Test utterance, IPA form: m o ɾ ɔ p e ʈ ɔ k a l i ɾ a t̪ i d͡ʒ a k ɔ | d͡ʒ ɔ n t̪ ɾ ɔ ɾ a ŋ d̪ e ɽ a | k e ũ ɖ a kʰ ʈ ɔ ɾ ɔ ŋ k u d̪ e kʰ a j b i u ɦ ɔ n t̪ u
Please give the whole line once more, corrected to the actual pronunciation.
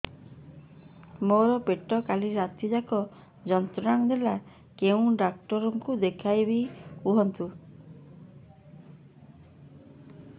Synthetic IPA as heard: m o ɾ ɔ p e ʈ ɔ k a l i ɾ a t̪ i d͡ʒ a k ɔ | d͡ʒ ɔ n t̪ ɾ ɔ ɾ a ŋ d̪ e l a | k e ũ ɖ a k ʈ ɔ ɾ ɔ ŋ k u d̪ e kʰ a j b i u ɦ ɔ n t̪ u